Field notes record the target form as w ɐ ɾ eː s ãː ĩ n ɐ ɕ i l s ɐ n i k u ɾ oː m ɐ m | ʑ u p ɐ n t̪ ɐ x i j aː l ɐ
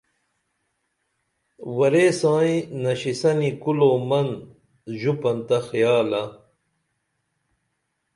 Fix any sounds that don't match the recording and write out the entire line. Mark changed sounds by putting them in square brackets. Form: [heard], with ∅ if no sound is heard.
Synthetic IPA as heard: w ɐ ɾ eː s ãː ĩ n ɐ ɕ i [∅] s ɐ n i k u [l] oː m ɐ [n] | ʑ u p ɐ n t̪ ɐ x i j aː l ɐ